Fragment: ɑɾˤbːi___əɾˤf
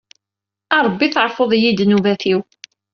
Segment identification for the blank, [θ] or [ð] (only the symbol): θ